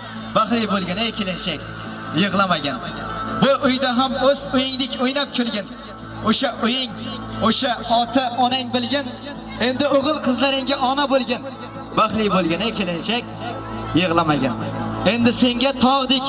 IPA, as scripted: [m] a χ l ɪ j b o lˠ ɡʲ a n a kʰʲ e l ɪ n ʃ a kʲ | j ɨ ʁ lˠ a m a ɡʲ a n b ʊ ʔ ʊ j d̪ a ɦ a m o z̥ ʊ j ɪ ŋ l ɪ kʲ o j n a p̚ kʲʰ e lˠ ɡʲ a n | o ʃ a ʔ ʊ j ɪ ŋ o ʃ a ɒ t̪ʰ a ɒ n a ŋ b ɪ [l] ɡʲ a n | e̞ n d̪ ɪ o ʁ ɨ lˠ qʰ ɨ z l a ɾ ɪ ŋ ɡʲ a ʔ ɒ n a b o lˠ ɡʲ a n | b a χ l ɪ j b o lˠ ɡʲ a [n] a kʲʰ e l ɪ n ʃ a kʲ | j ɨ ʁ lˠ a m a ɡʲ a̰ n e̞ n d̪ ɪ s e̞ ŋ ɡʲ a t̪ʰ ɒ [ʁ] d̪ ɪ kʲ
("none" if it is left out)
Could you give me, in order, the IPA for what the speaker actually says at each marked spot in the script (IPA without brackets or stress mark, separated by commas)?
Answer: b, l, n, ʁ